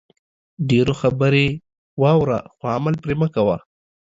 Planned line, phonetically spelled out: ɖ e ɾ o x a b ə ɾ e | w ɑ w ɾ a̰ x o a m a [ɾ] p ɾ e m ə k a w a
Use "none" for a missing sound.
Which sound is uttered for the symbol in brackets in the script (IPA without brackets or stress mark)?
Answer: l